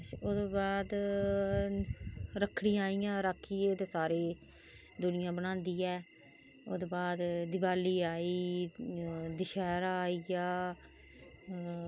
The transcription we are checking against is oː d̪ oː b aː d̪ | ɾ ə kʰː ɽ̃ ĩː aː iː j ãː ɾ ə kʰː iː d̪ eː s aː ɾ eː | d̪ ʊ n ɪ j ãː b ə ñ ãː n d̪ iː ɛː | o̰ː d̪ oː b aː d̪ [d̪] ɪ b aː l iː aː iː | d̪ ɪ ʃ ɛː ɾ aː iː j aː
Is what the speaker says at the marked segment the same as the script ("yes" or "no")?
yes